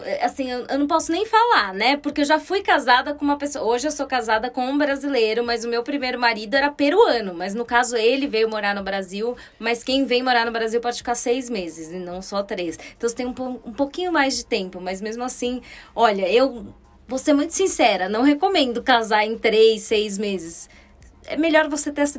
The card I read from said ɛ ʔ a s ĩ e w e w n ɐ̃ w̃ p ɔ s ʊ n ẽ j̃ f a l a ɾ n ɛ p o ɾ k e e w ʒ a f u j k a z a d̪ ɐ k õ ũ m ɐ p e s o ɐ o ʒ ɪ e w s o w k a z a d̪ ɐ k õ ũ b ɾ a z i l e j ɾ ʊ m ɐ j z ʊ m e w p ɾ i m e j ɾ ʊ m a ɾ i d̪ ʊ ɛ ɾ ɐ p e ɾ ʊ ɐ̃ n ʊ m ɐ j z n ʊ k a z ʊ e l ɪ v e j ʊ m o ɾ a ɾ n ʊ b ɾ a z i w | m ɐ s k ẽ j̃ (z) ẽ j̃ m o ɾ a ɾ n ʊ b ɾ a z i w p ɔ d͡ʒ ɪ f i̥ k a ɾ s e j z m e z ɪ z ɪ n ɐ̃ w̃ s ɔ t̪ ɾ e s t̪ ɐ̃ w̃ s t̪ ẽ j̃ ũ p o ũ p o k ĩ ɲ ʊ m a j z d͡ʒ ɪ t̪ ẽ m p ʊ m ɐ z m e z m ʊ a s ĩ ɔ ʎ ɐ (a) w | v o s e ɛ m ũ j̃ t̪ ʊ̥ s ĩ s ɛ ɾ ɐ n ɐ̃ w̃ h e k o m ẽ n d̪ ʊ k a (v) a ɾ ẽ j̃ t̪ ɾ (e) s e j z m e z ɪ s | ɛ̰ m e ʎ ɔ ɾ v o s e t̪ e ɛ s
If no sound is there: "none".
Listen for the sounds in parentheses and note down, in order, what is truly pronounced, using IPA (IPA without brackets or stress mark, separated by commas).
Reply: v, e, z, e